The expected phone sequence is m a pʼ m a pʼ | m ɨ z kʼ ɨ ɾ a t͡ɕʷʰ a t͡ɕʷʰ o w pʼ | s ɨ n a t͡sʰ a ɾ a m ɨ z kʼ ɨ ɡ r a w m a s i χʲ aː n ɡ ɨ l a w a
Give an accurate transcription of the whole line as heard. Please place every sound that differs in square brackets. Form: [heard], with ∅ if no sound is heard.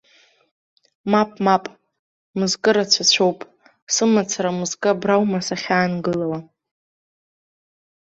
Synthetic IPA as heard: m a pʼ m a pʼ | m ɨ z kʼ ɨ ɾ a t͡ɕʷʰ a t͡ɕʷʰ o w pʼ | s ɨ [m] a t͡sʰ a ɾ a m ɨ z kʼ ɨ [b] r a w m a s [a] χʲ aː n ɡ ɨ l a w a

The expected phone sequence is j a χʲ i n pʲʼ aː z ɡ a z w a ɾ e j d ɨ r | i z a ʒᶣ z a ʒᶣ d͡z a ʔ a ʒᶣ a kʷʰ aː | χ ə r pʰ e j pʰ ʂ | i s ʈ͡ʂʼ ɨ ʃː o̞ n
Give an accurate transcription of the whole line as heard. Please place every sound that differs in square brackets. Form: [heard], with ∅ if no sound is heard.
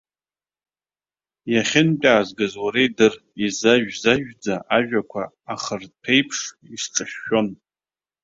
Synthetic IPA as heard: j a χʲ [ɪ] n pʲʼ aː z ɡ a z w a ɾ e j d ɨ r | i z a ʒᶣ z a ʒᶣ d͡z a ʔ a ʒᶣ a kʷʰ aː | χ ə r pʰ e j pʰ ʂ | i s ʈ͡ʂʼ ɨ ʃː o̞ n

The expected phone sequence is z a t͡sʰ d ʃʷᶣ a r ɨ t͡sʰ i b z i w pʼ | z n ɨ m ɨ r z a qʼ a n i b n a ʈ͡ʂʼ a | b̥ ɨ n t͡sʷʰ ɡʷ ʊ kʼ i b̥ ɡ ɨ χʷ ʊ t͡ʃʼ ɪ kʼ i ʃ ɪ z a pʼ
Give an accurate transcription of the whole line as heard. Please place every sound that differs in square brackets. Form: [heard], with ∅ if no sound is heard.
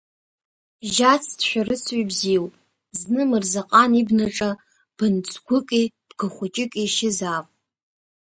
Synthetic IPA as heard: [ʒ] a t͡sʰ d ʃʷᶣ a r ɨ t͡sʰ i b z i w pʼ | z n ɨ m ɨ r z a qʼ a n i b n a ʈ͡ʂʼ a | b̥ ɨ n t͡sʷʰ ɡʷ ʊ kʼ i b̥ ɡ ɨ χʷ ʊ t͡ʃʼ ɪ kʼ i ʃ ɪ z a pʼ

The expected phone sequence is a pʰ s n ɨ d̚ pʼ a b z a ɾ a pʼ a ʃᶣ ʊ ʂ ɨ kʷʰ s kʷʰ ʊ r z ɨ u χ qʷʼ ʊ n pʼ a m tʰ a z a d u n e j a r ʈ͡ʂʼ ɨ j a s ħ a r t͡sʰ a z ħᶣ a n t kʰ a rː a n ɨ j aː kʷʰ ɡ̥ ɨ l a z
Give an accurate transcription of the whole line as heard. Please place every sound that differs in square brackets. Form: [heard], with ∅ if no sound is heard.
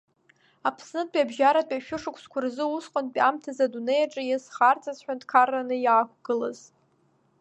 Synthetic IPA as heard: a pʰ s n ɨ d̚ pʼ a b [ʒ] a ɾ a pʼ a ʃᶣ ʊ ʂ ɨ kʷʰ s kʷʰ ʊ r z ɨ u [s] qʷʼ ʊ n pʼ a m tʰ a z a d u n e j a [∅] ʈ͡ʂʼ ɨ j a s [χ] a r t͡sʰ a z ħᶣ a n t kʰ a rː a n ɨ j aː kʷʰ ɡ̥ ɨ l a z

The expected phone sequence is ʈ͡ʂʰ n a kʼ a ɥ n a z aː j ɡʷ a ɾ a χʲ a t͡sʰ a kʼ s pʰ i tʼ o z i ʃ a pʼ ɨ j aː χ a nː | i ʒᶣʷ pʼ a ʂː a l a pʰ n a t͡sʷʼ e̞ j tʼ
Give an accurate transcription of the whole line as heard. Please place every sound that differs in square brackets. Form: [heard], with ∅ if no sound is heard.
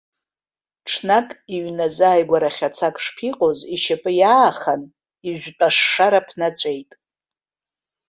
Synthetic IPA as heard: ʈ͡ʂʰ n a kʼ [i] ɥ n a z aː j ɡʷ a ɾ a χʲ a t͡sʰ a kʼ [ʂ] pʰ i [qʼ] o z i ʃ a pʼ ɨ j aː χ a [n] | i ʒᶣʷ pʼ a ʂː a [ɾ] a pʰ n a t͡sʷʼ e̞ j tʼ

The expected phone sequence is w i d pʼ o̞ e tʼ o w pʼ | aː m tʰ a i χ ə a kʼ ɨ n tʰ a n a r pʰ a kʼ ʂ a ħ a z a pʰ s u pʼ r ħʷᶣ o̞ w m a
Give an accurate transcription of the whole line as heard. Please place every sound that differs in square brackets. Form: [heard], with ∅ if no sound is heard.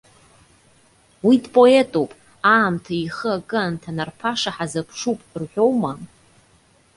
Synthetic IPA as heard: w i d pʼ o̞ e tʼ o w pʼ | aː m tʰ a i χ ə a kʼ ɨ n tʰ a n a r pʰ a [∅] ʂ a ħ a z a pʰ [ʂ] u pʼ r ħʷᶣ o̞ w m a

